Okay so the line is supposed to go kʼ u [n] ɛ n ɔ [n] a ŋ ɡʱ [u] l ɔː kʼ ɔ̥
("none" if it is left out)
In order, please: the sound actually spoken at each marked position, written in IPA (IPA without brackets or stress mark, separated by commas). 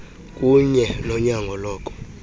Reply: ɲ, ɲ, ɔ